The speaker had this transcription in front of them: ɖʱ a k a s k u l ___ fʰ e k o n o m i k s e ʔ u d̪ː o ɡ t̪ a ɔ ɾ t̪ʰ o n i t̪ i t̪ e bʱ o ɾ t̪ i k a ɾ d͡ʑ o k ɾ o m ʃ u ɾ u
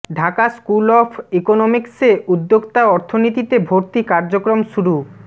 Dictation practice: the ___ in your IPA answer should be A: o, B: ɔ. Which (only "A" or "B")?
B